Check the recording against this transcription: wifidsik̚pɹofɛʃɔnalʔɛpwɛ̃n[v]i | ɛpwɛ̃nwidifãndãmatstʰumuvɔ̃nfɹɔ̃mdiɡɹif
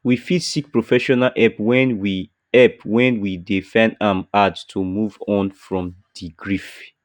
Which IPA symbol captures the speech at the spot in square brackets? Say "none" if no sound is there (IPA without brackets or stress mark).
w